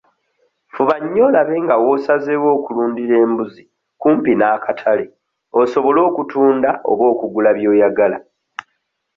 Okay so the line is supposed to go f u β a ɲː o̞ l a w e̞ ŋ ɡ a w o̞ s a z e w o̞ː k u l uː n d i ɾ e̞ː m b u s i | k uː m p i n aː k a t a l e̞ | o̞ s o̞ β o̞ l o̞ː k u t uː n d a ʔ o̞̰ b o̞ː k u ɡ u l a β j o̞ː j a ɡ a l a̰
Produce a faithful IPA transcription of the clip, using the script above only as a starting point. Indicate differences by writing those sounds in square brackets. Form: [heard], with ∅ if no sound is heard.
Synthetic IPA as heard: f u β a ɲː o̞ l a [β] e̞ ŋ ɡ a w o̞ s a z e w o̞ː k u l uː n d i ɾ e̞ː m b u [z] i | k uː m p i n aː k a [tʰ] a l e̞ | o̞ s o̞ β o̞ l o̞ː k u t uː n d a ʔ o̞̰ [β] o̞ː k u ɡ u l a β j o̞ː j a ɡ a l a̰